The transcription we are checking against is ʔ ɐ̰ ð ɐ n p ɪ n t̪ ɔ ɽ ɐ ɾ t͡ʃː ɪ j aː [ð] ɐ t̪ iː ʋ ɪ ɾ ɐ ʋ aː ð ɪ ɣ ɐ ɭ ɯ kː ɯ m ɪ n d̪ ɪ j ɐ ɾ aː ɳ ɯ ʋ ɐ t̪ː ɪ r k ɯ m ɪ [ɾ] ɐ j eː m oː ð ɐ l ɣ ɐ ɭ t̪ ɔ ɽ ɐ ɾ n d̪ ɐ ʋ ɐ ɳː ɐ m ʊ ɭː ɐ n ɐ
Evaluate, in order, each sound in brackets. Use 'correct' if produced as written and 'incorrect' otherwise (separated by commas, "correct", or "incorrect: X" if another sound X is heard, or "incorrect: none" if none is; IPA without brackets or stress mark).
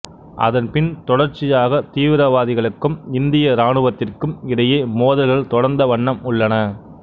incorrect: ɣ, incorrect: ɽ